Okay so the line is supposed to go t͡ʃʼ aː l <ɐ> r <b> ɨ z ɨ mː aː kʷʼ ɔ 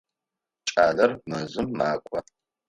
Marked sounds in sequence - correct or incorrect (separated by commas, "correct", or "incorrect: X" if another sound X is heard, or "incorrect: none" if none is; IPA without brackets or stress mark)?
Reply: correct, incorrect: m